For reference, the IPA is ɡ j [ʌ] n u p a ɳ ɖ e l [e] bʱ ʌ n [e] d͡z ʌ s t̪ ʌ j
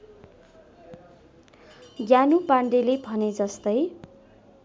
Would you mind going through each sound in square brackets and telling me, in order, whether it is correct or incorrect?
incorrect: a, correct, correct

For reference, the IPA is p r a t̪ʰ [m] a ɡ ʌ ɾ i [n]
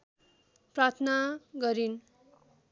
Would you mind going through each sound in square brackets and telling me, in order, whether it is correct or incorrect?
incorrect: n, correct

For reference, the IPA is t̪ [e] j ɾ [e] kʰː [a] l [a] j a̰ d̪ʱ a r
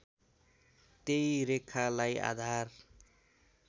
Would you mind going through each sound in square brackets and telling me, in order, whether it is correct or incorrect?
correct, correct, correct, correct

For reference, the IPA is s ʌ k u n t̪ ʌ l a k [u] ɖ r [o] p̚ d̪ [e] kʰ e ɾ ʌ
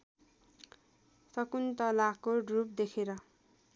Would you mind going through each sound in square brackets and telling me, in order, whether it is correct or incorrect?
incorrect: o, incorrect: u, correct

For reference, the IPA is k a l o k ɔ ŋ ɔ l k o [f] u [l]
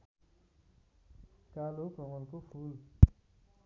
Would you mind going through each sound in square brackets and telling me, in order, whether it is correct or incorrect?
correct, correct

